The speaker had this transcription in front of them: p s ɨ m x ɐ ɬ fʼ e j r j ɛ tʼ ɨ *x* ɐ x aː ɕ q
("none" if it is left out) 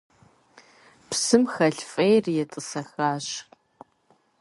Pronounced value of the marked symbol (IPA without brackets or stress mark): s